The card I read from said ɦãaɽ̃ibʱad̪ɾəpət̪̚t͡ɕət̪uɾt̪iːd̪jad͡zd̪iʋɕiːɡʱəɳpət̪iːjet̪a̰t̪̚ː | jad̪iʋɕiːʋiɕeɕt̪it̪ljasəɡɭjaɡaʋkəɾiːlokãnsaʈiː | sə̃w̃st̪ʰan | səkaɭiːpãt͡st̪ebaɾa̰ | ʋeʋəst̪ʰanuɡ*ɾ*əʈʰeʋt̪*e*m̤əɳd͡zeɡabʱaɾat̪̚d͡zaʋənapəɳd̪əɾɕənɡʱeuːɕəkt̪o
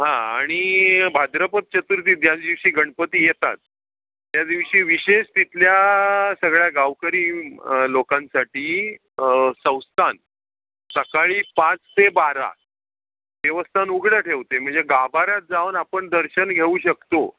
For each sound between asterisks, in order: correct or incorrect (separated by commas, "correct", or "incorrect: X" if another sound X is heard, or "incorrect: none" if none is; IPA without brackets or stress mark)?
incorrect: ɽ, correct